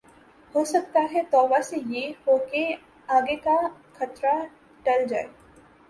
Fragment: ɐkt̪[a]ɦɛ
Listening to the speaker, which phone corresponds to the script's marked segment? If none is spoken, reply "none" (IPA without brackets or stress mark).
a